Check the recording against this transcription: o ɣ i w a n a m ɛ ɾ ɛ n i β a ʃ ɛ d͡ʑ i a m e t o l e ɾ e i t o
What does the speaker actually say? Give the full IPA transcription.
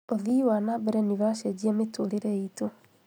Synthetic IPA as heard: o ð i w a n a b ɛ ɾ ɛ n i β a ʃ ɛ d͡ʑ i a m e t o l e ɾ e i t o